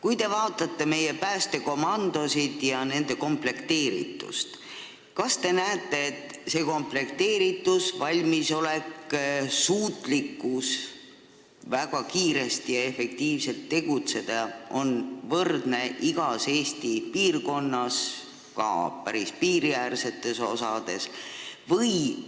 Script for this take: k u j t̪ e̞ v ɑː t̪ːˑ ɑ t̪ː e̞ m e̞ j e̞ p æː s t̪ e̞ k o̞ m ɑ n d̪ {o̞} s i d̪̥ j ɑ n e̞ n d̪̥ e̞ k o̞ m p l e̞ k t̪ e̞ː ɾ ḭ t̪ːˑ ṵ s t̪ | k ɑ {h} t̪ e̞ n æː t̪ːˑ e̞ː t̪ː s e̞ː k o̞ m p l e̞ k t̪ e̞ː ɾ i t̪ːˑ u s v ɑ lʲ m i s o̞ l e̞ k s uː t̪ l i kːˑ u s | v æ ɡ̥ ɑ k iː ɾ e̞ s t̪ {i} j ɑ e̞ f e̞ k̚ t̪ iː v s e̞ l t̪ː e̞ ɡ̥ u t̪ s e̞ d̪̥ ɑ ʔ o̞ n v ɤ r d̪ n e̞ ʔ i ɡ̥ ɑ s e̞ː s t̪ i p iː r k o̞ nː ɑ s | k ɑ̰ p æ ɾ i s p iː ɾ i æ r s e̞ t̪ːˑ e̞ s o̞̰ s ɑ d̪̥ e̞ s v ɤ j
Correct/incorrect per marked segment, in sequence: correct, incorrect: s, correct

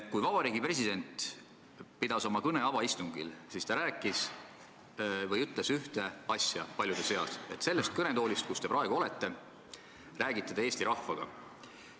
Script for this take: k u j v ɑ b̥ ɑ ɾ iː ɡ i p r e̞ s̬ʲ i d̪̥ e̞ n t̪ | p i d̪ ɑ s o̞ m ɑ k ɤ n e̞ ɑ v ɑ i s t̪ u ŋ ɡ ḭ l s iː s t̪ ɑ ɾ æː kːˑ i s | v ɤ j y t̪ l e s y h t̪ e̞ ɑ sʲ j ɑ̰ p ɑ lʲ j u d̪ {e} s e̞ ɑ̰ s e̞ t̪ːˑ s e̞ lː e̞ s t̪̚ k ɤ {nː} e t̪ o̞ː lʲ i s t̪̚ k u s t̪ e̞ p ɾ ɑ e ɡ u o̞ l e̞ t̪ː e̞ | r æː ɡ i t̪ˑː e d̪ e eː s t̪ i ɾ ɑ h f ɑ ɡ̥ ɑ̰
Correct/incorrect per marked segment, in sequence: correct, incorrect: n

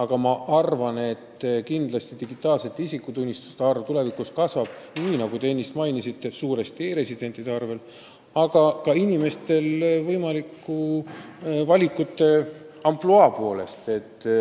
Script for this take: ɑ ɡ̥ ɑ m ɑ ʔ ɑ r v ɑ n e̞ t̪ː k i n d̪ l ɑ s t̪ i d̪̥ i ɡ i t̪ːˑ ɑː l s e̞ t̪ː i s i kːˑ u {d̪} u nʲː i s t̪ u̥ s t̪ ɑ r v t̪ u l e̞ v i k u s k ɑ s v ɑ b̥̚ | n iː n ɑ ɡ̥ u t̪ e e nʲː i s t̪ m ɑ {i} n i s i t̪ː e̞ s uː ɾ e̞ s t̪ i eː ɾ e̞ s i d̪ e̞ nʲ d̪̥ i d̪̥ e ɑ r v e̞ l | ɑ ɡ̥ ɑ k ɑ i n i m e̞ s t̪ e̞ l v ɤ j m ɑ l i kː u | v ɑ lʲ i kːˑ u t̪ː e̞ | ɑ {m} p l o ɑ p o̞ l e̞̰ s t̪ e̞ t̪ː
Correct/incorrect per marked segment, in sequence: incorrect: t̪, incorrect: j, correct

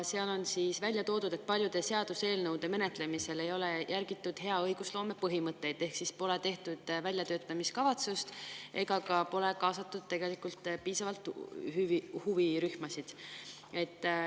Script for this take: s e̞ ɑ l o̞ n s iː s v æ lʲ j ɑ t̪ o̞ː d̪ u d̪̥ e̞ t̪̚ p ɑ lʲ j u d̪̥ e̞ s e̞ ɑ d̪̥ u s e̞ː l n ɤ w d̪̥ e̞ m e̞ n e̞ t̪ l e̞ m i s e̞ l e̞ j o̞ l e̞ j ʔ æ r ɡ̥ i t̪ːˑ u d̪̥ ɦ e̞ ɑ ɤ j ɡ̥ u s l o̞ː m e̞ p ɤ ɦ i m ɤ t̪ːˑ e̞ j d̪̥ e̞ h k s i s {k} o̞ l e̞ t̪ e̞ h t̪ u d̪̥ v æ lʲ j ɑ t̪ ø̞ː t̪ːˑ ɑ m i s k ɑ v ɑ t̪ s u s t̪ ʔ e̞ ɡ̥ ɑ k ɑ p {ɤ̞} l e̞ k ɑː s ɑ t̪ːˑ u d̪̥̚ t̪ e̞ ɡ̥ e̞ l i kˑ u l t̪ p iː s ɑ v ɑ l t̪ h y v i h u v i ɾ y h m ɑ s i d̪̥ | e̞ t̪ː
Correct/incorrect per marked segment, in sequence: incorrect: p, incorrect: o̞

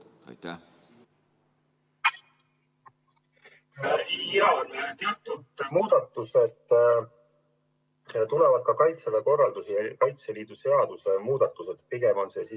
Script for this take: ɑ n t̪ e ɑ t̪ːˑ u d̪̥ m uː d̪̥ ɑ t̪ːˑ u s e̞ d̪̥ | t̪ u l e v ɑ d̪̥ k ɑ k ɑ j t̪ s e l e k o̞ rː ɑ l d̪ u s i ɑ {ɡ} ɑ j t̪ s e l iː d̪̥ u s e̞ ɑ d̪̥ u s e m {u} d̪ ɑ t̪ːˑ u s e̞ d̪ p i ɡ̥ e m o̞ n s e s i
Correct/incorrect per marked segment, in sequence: incorrect: k, incorrect: uː

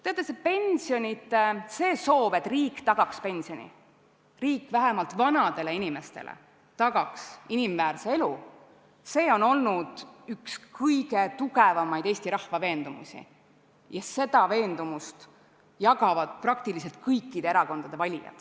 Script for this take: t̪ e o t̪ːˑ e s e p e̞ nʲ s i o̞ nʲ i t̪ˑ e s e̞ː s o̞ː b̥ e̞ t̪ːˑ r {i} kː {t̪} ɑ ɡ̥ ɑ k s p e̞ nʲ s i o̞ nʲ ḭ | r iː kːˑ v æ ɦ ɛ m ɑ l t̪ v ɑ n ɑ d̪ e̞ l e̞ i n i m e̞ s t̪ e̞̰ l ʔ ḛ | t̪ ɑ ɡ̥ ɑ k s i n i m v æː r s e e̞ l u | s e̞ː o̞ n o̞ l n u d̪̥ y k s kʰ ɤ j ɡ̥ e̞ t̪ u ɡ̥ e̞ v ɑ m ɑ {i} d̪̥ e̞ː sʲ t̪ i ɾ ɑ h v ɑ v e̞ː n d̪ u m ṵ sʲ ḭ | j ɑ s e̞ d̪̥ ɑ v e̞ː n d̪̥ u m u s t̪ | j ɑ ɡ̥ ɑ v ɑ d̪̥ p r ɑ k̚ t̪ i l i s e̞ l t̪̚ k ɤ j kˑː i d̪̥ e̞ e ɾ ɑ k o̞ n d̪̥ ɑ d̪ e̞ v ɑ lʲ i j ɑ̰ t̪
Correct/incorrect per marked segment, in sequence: incorrect: iː, correct, incorrect: j

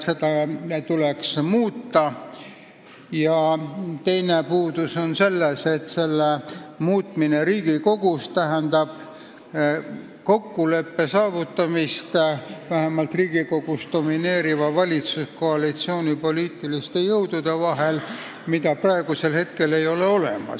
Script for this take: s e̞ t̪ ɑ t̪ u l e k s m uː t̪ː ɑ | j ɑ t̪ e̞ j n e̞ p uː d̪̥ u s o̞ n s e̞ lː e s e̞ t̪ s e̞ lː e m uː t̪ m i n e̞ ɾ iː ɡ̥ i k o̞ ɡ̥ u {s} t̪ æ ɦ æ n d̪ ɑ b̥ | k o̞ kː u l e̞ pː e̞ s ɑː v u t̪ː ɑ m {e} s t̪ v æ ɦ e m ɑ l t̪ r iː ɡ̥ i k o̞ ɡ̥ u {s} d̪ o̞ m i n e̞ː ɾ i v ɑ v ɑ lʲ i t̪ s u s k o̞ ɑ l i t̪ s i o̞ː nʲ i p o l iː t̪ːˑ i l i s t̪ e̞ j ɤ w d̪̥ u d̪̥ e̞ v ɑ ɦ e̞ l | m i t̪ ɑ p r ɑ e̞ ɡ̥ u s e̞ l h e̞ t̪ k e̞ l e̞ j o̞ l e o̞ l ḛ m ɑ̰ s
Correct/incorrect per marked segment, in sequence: correct, incorrect: i, correct

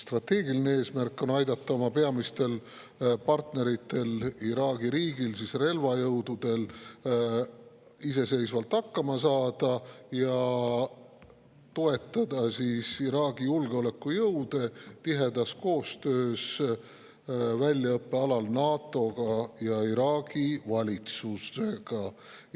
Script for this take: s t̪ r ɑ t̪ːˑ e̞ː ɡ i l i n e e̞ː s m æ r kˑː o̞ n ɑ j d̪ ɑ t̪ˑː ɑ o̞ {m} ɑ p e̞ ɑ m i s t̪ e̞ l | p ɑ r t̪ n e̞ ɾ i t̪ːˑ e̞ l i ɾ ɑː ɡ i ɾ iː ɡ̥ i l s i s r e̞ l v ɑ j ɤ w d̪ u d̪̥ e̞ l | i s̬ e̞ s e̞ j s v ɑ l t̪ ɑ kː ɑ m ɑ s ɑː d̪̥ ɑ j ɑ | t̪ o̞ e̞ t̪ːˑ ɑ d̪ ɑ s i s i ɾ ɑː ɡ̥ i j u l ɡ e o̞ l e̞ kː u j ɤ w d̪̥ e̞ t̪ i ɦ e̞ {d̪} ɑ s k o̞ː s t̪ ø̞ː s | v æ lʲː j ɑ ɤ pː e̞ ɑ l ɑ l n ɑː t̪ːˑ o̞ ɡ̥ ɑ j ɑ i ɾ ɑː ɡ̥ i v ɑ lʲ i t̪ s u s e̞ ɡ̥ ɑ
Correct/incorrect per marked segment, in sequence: correct, correct

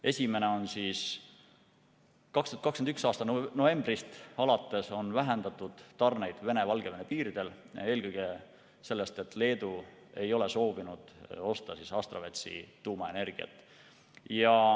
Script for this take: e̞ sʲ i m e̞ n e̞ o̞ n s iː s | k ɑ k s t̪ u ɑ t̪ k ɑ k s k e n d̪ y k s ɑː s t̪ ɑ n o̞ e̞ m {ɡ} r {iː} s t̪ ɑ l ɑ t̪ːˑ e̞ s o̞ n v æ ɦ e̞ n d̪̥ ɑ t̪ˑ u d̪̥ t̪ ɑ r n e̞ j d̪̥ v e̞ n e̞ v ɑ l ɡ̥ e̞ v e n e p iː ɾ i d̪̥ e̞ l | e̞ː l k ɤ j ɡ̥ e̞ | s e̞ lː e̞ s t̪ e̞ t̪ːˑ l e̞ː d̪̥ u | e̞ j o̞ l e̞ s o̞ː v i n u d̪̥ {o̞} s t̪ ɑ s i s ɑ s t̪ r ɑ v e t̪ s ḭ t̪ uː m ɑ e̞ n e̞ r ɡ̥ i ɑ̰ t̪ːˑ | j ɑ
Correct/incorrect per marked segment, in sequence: incorrect: b, incorrect: i, correct

